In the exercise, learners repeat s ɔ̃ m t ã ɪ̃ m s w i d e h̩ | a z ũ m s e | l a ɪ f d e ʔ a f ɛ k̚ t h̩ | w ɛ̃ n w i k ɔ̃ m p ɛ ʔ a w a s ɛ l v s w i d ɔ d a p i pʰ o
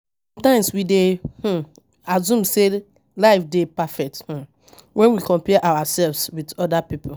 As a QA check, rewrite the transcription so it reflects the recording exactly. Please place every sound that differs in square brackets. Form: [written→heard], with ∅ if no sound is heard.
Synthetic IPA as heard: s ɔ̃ m t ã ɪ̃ m s w i d e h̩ | a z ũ m s e | l a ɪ f d e [ʔ→p] a f ɛ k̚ t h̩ | w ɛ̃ n w i k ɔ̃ m p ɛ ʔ a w a s ɛ l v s w i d ɔ d a p i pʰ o